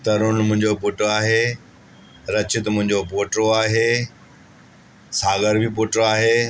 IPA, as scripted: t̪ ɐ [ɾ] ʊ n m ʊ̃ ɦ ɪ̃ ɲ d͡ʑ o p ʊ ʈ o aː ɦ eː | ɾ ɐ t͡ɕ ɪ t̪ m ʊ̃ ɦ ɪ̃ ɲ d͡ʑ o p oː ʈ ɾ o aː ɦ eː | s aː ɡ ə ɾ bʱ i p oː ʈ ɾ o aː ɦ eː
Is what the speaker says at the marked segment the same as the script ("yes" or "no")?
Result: yes